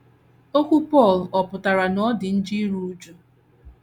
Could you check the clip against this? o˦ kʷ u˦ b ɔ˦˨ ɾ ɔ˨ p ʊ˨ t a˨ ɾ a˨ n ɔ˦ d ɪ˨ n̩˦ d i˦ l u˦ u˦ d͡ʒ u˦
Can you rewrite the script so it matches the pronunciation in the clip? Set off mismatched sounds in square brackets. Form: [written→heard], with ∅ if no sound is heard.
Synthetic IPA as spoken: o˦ kʷ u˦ [b→p] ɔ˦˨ [ɾ→l] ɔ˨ p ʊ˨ t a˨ ɾ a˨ n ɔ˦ d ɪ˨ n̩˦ [d→d͡ʒ] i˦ [l→ɾ] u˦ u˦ d͡ʒ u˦

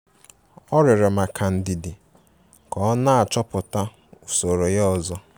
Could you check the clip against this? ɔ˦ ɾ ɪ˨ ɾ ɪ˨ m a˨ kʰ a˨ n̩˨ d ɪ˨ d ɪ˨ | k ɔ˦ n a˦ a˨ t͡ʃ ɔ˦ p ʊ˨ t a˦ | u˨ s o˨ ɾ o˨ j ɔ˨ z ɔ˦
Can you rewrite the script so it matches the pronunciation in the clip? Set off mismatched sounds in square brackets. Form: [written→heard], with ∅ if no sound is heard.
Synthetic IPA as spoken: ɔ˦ ɾ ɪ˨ ɾ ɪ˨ m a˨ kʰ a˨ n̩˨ d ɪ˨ d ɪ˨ | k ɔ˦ n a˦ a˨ t͡ʃ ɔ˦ p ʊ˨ t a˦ | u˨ s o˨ ɾ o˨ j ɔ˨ z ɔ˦

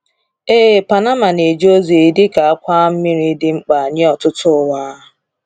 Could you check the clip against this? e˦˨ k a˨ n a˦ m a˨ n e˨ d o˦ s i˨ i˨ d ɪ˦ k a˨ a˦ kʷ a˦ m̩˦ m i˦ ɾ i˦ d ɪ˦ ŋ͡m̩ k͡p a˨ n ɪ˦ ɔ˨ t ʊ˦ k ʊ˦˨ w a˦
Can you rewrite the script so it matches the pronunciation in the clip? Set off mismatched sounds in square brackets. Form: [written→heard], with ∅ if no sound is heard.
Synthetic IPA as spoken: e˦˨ [k→p] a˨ n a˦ m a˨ n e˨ [d→d͡ʒ] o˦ [s→z] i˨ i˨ d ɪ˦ k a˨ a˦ kʷ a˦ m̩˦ m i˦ ɾ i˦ d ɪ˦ ŋ͡m̩ k͡p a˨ [n→ɲ] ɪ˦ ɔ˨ t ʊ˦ [k→t] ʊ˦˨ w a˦

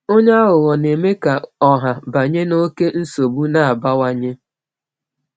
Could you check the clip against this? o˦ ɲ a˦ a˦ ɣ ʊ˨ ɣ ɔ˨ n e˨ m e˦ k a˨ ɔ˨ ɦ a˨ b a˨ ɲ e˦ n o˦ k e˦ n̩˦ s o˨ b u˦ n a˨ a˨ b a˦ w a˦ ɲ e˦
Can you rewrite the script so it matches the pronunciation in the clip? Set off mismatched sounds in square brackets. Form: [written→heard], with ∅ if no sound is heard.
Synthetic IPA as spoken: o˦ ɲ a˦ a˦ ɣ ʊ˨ ɣ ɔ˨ n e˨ m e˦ k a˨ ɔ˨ ɦ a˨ b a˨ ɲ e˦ n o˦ k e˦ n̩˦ s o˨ b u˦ n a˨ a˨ b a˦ w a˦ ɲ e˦

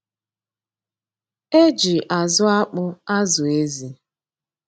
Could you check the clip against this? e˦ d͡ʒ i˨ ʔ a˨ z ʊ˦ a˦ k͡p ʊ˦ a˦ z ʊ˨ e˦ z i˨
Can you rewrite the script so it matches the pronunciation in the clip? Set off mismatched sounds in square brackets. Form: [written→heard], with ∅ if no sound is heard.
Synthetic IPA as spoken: e˦ d͡ʒ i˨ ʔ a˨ z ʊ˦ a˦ k͡p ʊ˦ a˦ z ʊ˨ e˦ z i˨

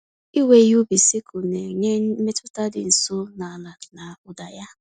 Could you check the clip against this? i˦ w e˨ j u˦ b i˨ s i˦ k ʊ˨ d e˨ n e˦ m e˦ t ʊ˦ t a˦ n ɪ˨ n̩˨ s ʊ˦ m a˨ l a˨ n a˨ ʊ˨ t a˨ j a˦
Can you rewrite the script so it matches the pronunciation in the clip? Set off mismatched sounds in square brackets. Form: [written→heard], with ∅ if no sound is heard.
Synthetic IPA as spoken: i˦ w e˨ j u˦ b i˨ s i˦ k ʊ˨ [d→n] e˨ [n→ɲ] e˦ m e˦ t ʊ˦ t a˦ [n→d] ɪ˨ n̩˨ s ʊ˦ [m→n] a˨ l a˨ n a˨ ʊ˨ [t→d] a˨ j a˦

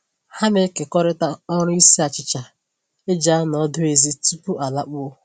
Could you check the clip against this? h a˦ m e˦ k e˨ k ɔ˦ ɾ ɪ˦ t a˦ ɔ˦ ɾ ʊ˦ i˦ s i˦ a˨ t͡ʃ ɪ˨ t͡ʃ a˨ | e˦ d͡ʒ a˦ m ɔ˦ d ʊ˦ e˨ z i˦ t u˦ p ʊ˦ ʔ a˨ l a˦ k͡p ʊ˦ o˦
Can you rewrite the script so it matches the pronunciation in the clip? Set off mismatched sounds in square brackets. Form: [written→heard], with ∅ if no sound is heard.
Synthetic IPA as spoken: h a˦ m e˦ k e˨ k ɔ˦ ɾ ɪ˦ t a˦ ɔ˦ ɾ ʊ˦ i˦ s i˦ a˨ t͡ʃ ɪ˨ t͡ʃ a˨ | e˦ d͡ʒ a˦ [m→n] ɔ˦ d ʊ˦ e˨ z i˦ t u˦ p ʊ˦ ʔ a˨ l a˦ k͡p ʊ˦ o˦

